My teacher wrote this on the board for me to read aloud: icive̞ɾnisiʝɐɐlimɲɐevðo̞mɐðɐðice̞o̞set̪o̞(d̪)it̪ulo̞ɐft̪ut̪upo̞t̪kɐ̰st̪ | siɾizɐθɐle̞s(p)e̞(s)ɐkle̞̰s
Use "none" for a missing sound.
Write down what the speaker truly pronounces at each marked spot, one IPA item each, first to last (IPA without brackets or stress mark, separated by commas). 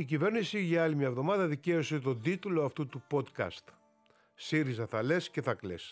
d̪, c, θ